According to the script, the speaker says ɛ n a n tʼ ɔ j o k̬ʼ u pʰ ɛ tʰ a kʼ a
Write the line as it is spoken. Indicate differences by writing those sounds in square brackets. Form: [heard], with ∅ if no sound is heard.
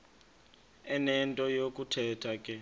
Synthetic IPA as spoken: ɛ n [ɛ] n tʼ ɔ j o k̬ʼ u [tʰ] ɛ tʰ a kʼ [ɛ]